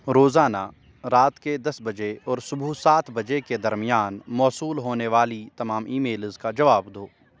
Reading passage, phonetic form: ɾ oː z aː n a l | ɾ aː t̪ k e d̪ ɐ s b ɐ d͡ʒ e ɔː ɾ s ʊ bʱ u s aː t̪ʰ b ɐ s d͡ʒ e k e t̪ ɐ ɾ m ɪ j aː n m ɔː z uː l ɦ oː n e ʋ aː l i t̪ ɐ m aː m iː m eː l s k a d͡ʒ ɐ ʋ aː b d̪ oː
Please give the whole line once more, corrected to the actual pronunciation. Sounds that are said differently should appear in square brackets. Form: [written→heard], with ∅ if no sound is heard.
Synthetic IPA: ɾ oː z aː n a [l→∅] | ɾ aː t̪ k e d̪ ɐ s b ɐ d͡ʒ e ɔː ɾ s ʊ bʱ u s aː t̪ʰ b ɐ [s→∅] d͡ʒ e k e [t̪→d̪] ɐ ɾ m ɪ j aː n m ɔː [z→s] uː l ɦ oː n e ʋ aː l i t̪ ɐ m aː m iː m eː l [s→z] k a d͡ʒ ɐ ʋ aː b d̪ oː